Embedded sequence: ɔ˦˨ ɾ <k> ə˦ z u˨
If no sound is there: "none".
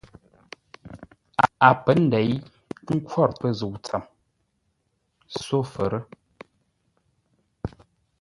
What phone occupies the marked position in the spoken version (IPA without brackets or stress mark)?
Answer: p